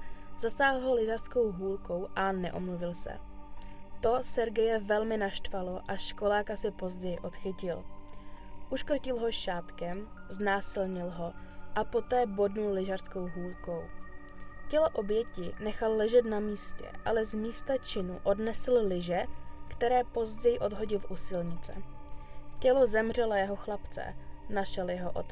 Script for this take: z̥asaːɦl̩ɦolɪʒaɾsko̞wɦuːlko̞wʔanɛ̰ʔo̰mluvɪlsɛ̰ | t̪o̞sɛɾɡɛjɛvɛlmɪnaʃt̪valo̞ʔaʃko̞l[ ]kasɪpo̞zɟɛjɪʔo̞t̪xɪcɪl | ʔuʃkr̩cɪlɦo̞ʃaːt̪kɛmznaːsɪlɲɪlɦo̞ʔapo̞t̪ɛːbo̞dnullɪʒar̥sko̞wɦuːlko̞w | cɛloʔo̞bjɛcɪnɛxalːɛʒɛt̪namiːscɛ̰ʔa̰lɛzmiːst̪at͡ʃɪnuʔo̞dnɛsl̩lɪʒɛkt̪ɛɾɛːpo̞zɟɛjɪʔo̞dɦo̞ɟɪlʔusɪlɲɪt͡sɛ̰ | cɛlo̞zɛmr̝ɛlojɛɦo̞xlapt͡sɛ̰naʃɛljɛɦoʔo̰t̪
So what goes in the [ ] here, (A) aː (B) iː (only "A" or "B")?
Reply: A